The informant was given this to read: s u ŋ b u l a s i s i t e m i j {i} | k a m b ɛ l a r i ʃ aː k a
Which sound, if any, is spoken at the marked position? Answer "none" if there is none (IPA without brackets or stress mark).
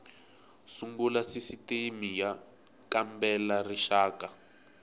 a